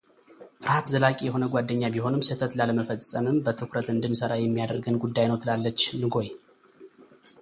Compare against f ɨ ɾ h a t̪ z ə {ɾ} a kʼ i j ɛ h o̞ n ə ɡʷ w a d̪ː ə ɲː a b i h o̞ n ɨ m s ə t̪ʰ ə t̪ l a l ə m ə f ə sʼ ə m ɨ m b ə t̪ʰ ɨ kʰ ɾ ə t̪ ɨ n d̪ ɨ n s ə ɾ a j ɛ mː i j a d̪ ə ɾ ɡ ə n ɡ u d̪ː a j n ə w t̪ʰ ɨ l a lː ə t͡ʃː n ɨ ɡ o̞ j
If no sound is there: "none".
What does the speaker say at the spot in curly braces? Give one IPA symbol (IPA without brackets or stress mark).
l